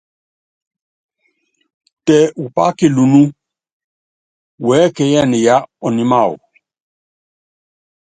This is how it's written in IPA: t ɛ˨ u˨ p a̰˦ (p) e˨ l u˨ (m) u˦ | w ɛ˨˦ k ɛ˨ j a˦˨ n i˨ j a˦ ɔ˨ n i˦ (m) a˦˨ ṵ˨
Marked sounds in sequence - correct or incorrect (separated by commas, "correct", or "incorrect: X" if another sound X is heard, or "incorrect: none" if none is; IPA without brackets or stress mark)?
incorrect: k, incorrect: n, correct